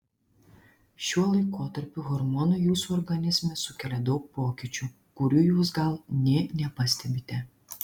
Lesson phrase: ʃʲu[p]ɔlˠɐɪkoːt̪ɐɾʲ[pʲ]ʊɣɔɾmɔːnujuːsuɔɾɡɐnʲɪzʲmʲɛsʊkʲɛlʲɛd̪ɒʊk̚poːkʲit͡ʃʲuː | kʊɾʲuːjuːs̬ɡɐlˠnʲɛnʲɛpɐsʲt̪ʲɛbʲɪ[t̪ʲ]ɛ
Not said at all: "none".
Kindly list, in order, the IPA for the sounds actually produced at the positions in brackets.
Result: none, pʲ, t̪ʲ

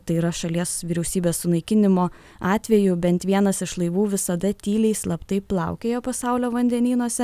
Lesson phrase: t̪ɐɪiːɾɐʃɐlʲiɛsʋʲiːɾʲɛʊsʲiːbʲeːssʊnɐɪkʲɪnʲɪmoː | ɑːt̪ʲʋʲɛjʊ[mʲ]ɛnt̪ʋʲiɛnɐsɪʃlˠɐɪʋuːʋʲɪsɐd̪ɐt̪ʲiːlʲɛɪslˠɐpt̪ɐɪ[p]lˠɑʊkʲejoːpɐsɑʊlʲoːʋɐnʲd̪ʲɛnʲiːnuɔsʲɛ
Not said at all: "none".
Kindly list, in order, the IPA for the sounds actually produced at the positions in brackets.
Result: bʲ, p

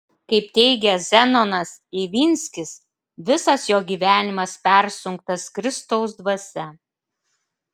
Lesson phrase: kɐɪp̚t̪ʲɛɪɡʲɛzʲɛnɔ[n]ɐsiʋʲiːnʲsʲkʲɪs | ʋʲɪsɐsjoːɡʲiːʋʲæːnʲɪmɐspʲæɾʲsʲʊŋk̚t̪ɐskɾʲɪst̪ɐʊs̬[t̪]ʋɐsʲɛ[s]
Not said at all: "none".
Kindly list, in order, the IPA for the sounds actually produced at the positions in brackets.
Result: n, d̪, none

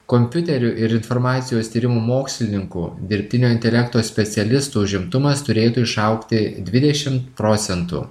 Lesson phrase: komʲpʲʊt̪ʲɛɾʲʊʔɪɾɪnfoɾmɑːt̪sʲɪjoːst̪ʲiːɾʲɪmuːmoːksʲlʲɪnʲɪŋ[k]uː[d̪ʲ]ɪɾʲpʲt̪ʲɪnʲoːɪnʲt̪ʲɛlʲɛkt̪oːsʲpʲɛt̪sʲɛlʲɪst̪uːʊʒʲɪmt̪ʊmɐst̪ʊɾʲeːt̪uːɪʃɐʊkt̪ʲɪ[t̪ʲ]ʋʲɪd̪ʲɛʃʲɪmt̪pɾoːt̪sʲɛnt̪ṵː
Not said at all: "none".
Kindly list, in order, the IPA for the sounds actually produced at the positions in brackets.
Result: k, d̪ʲ, d̪ʲ

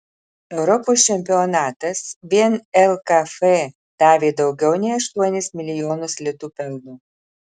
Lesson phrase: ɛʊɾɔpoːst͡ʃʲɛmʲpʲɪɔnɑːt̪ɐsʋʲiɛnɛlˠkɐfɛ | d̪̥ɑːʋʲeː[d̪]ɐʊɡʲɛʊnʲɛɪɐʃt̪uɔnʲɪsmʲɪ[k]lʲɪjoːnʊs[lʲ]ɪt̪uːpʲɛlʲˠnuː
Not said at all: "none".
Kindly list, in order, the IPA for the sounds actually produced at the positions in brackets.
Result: d̪, none, lʲ

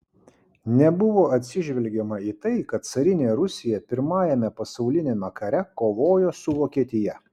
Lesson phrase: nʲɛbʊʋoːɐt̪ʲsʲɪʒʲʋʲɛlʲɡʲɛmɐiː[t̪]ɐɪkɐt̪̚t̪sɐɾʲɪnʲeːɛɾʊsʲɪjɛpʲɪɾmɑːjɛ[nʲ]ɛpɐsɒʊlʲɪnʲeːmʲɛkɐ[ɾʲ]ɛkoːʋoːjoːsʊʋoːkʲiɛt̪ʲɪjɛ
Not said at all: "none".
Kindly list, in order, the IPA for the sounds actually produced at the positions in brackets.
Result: t̪, mʲ, ɾʲ

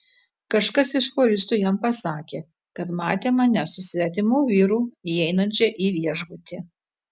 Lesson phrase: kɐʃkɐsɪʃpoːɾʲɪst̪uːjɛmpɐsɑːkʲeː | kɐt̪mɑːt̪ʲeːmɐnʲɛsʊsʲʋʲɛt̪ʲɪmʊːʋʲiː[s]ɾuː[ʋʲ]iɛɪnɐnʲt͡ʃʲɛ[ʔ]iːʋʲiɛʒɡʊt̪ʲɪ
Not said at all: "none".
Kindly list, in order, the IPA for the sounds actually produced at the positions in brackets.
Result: none, none, ʔ

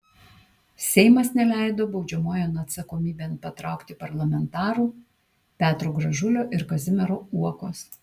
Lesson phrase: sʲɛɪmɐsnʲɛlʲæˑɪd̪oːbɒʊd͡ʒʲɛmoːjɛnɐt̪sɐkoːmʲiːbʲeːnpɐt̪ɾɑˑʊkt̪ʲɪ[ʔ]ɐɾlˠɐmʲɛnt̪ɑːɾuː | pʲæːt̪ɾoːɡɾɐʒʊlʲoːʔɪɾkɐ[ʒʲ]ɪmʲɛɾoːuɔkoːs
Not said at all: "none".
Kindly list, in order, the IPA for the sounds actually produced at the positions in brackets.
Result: p, zʲ

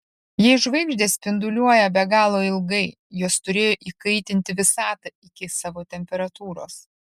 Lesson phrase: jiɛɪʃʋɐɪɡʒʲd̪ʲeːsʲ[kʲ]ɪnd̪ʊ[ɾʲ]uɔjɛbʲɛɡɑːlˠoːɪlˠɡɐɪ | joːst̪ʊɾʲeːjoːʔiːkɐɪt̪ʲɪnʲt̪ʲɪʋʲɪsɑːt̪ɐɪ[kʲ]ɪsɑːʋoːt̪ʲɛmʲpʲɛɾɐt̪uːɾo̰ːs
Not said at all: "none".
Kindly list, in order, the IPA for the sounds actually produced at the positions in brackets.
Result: pʲ, lʲ, kʲ

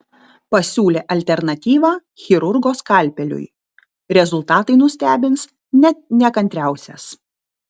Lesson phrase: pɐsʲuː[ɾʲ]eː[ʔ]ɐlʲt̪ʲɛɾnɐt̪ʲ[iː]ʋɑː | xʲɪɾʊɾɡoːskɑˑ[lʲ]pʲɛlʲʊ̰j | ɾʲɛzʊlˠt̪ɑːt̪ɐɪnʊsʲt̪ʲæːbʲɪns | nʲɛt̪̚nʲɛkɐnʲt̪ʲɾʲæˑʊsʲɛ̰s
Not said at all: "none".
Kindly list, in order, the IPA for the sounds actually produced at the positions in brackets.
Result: lʲ, ʔ, iː, lʲ

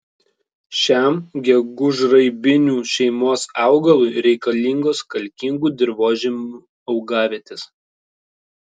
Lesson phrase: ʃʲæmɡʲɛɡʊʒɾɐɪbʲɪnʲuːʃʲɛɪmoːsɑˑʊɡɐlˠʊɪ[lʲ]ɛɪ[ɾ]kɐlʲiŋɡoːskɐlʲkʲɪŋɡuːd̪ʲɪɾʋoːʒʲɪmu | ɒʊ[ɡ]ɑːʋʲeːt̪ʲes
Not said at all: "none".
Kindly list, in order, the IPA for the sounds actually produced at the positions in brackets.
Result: ɾʲ, none, ɡ

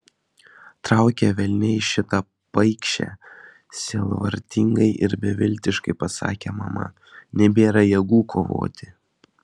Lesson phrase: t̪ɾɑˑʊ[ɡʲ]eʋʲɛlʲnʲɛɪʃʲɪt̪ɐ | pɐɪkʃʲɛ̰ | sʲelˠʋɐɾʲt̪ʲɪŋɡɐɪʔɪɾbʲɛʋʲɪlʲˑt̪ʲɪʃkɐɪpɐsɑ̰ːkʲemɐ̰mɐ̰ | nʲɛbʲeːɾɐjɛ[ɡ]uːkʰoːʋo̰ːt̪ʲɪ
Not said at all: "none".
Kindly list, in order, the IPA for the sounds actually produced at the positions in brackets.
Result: kʲ, ɡ

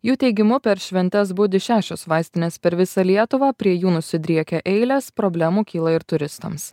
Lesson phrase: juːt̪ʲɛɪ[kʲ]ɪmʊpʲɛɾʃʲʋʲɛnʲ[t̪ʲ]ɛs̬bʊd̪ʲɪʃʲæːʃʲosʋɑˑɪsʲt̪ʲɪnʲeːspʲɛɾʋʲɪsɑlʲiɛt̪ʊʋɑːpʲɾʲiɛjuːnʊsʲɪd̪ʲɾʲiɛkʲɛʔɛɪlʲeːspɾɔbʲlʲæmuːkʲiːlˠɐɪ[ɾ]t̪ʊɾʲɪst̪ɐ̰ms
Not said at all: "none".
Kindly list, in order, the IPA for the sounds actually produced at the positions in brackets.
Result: ɡʲ, t̪ʲ, ɾ

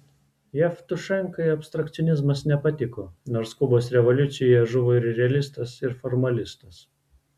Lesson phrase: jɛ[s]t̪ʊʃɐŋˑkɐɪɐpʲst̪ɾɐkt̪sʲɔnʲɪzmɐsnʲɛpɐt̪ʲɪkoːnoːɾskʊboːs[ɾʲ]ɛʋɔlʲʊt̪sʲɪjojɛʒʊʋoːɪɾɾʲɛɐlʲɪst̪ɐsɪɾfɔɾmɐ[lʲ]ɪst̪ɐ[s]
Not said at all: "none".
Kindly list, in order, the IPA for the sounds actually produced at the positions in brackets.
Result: f, ɾʲ, lʲ, s

